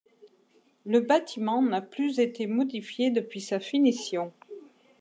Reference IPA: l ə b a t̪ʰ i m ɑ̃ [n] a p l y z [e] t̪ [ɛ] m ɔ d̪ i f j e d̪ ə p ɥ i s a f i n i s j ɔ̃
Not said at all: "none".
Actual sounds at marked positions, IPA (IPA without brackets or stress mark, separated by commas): n, e, e